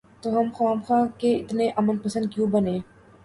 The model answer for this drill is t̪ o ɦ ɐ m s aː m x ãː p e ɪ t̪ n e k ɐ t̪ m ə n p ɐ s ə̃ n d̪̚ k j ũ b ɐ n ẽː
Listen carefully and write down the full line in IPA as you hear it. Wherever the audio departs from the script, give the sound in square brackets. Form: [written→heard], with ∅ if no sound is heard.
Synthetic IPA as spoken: t̪ o ɦ ɐ m [s→x] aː m x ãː [p→k] e ɪ t̪ n e [k→ʔ] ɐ [t̪→∅] m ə n p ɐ s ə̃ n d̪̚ k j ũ b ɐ n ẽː

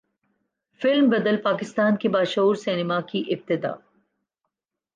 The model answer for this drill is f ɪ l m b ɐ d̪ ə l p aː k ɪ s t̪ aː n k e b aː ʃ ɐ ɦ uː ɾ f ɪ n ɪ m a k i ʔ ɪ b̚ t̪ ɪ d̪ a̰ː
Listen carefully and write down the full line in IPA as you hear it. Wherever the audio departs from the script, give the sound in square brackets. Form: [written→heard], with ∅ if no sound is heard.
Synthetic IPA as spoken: f ɪ l m b ɐ d̪ ə l p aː k ɪ s t̪ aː n k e b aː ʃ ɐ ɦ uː ɾ [f→s] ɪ n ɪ m a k i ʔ ɪ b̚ t̪ ɪ d̪ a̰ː

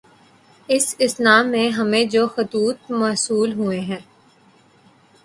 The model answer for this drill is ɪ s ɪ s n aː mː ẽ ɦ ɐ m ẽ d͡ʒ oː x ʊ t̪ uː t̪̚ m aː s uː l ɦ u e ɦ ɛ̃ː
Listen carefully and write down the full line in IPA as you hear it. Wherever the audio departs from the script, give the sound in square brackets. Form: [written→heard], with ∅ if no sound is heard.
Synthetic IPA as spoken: ɪ s ɪ s n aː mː ẽ ɦ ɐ m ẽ d͡ʒ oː x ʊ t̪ uː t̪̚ m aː s uː l ɦ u e ɦ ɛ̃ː

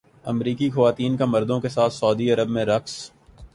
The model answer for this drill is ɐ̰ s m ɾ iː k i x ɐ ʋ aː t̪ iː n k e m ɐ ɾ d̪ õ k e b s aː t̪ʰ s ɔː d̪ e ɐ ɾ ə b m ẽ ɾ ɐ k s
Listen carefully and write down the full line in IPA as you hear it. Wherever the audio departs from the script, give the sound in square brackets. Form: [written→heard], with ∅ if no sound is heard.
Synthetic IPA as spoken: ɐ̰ [s→∅] m ɾ iː k i x ɐ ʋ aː t̪ iː n k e m ɐ ɾ d̪ õ k e [b→∅] s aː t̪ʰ s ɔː d̪ [e→i] ɐ ɾ ə b m ẽ ɾ ɐ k s

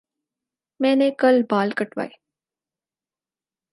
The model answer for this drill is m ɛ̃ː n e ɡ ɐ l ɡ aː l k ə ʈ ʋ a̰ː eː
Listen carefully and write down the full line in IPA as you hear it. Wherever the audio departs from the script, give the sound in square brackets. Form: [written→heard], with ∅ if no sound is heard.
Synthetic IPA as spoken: m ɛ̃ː n e [ɡ→k] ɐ l [ɡ→b] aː l k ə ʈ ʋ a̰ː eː

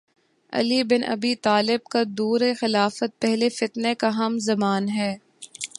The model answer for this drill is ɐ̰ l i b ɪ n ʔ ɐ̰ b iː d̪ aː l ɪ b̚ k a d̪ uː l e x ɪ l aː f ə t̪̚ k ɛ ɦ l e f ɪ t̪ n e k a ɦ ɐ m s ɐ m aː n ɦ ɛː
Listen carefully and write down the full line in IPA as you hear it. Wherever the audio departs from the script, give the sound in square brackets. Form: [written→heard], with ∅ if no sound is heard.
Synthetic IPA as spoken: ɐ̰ l i b ɪ n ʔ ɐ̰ b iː [d̪→t̪] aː l ɪ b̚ k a d̪ uː [l→ɾ] e x ɪ l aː f ə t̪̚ [k→p] ɛ ɦ l e f ɪ t̪ n e k a ɦ ɐ m [s→z] ɐ m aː n ɦ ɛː

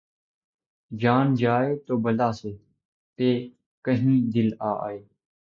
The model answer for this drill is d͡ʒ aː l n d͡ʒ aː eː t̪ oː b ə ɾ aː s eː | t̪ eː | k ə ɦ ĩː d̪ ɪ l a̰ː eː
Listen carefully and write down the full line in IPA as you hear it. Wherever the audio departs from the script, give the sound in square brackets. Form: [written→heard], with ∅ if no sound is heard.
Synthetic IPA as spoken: d͡ʒ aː [l→∅] n d͡ʒ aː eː t̪ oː b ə [ɾ→l] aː s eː | t̪ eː | k ə ɦ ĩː d̪ ɪ l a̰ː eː

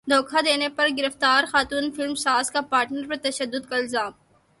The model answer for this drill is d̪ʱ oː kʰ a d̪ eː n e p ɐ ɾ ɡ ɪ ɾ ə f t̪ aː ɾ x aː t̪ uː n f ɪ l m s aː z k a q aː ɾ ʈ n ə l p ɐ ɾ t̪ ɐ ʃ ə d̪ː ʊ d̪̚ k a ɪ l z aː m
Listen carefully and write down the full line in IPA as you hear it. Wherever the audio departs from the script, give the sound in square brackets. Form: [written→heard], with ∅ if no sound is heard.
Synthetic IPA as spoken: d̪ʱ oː kʰ a d̪ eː n e p ɐ ɾ ɡ ɪ ɾ ə f t̪ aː ɾ x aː t̪ uː n f ɪ l m s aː z k a [q→p] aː ɾ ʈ n ə [l→ɾ] p ɐ ɾ t̪ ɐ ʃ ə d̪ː ʊ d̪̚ k a ɪ l z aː m

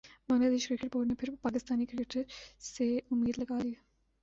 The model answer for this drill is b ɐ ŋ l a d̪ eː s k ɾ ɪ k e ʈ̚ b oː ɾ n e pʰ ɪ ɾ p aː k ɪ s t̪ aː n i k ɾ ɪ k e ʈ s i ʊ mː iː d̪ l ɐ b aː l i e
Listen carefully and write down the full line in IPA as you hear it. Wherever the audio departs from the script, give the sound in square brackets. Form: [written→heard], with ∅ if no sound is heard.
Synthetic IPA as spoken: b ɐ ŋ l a d̪ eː [s→ʃ] k ɾ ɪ k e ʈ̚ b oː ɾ n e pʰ ɪ ɾ p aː k ɪ s t̪ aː n i k ɾ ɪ k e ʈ s [i→e] ʊ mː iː d̪ l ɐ [b→ɡ] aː l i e

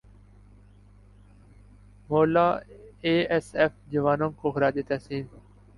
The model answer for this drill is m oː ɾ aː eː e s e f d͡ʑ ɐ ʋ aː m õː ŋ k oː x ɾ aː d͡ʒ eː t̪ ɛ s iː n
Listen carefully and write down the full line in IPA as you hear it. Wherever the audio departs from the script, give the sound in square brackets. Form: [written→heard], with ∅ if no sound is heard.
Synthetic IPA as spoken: m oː [ɾ→l] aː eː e s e f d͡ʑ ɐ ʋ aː [m→n] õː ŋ k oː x ɾ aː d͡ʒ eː t̪ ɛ s iː n

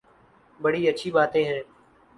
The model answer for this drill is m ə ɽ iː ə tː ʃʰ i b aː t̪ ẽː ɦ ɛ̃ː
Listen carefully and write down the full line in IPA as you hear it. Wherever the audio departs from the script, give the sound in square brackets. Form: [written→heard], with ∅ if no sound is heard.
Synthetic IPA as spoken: [m→b] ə ɽ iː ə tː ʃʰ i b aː t̪ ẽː ɦ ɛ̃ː

